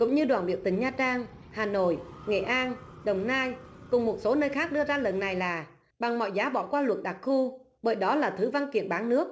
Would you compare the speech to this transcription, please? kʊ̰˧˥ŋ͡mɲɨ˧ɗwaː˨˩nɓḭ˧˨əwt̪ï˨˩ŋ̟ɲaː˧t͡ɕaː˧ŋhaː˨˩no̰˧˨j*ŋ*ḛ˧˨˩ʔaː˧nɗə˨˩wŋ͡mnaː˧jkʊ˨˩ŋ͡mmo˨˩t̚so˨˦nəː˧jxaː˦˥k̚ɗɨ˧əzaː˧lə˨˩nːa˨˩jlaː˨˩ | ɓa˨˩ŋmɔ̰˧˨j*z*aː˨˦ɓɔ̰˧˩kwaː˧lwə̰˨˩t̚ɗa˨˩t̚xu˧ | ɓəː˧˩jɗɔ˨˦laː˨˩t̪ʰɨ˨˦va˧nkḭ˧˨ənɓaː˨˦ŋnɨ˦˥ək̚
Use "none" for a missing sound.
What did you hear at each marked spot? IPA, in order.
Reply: ŋ, z

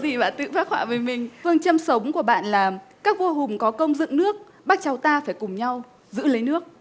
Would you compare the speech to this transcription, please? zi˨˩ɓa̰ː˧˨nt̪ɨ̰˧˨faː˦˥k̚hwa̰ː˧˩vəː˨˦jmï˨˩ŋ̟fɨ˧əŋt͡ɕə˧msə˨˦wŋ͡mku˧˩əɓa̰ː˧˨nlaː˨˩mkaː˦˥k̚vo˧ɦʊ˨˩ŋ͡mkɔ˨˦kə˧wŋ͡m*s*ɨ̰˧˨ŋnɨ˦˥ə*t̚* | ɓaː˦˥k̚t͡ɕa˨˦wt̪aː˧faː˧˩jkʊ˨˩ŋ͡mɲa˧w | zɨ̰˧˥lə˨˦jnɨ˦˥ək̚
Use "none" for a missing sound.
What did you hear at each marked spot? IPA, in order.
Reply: z, k̚

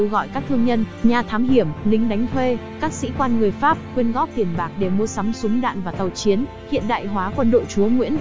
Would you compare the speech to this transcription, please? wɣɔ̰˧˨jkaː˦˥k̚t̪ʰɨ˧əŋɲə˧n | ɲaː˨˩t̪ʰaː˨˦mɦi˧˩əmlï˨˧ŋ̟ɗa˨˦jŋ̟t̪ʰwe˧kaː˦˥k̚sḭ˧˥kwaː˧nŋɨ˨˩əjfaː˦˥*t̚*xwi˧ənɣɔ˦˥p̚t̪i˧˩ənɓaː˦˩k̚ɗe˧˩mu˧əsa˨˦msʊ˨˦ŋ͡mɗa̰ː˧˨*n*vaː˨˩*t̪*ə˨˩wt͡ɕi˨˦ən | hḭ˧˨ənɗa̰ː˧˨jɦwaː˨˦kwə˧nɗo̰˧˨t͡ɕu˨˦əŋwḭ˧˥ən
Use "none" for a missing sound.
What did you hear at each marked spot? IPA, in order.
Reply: p̚, n, t̪

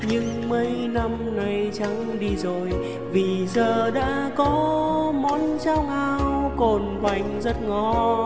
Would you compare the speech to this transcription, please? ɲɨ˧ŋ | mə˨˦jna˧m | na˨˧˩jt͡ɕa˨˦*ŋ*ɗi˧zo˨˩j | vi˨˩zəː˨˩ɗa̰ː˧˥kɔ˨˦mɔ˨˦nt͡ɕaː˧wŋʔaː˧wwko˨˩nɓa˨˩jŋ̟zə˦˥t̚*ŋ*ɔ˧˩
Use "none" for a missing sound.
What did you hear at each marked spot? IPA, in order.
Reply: ŋ, ŋ

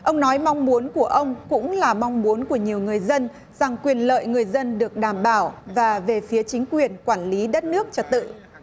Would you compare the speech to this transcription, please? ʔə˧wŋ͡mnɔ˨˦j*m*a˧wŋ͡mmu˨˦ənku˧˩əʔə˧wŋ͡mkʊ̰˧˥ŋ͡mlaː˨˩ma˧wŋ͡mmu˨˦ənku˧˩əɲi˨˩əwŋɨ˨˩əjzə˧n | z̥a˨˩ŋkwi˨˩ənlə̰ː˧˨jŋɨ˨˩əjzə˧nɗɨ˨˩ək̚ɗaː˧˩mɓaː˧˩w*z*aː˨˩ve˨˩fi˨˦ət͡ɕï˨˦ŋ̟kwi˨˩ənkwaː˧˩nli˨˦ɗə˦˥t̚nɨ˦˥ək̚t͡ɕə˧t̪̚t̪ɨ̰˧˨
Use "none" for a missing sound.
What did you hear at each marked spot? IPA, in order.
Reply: m, v

